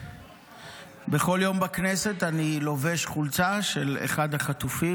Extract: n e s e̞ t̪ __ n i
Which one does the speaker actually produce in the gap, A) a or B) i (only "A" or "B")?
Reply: A